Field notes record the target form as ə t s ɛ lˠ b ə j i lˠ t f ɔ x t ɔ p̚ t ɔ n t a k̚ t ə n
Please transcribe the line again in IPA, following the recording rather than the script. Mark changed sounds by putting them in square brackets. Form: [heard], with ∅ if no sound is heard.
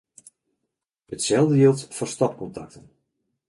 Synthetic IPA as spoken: ə t s ɛ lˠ [d] ə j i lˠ t f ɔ [s] t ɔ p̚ [k] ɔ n t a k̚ t ə n